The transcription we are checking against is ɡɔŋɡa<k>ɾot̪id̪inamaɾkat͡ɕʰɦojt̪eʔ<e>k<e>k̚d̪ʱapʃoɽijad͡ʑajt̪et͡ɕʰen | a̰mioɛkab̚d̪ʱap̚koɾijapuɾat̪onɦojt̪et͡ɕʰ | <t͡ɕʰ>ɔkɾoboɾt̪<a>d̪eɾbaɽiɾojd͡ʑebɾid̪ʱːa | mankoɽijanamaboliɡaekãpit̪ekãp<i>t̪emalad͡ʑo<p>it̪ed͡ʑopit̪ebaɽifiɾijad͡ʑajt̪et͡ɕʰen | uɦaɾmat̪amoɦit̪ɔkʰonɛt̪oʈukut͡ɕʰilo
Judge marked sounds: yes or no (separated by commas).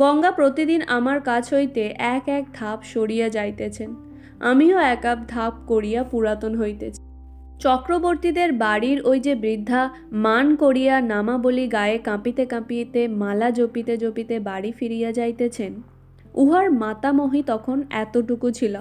no, no, no, no, no, yes, yes